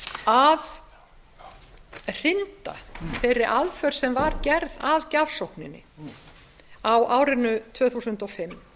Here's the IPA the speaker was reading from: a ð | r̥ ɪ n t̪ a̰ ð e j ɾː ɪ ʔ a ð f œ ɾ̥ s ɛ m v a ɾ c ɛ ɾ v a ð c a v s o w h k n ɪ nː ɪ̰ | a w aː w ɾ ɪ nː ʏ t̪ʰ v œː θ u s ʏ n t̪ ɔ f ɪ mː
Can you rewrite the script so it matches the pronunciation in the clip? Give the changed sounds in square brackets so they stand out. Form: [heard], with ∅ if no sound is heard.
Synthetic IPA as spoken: a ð | r̥ ɪ n t̪ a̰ [θ] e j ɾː ɪ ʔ a ð f œ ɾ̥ s ɛ m v a ɾ c ɛ ɾ [ð] a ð c a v s o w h k n ɪ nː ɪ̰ | a w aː w ɾ ɪ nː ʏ t̪ʰ v œː θ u s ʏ n t̪ ɔ f ɪ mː

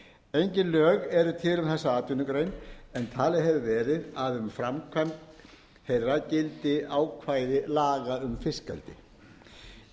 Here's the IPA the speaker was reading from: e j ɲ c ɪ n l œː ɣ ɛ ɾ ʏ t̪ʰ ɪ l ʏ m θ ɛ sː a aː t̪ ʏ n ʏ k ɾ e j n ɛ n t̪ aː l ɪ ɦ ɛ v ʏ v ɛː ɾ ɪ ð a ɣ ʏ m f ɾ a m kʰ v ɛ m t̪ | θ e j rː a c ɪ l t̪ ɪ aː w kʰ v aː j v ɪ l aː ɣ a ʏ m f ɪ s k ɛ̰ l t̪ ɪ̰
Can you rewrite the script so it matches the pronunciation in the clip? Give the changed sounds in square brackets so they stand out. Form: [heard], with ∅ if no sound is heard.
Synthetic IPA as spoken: e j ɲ c ɪ n l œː ɣ ɛ ɾ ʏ t̪ʰ ɪ l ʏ m θ ɛ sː a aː t̪ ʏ n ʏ k ɾ e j n ɛ n [t̪ʰ] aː l ɪ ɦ ɛ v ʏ v ɛː ɾ ɪ ð a [ð] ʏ m f ɾ a m kʰ v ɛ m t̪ | [h] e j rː a c ɪ l t̪ ɪ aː w kʰ v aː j [ð] ɪ l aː ɣ a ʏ m f ɪ s k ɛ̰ l t̪ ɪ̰

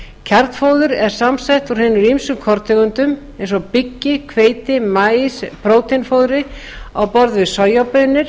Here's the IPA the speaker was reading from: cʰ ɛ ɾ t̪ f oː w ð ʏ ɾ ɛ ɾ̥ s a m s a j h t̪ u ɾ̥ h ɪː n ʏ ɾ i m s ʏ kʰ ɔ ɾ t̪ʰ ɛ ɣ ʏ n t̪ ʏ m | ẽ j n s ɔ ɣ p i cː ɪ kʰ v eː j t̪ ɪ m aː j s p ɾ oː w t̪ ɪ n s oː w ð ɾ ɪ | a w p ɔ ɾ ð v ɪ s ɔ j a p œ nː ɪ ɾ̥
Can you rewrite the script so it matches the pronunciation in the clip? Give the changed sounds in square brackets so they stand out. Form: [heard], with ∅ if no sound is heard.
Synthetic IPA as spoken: cʰ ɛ ɾ t̪ f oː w ð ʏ ɾ ɛ ɾ̥ s a m s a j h t̪ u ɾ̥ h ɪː n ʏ ɾ i m s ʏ kʰ ɔ ɾ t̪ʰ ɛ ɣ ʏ n t̪ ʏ m | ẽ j n s ɔ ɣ p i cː ɪ kʰ v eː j t̪ ɪ m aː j s p ɾ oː w t̪ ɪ n [f] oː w ð ɾ ɪ | a w p ɔ ɾ ð v ɪ s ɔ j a p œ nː ɪ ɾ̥

